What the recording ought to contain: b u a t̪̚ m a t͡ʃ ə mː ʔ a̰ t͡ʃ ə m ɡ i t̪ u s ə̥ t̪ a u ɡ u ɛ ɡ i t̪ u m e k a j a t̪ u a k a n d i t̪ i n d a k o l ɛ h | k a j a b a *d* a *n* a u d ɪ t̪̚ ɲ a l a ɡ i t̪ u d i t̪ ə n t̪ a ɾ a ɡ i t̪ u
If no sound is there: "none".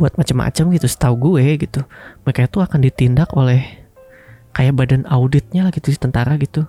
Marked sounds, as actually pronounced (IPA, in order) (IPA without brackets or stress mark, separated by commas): d, n